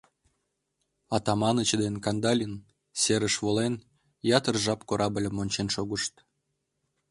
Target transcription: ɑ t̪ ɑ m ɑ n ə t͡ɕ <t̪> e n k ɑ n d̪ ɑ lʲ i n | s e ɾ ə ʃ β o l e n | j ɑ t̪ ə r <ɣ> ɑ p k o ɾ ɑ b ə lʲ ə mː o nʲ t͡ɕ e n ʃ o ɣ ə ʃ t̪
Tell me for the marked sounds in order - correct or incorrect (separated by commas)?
incorrect, incorrect